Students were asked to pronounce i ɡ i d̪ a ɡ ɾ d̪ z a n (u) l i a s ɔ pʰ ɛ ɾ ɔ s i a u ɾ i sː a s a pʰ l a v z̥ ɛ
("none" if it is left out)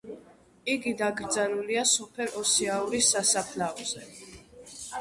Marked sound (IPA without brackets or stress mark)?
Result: u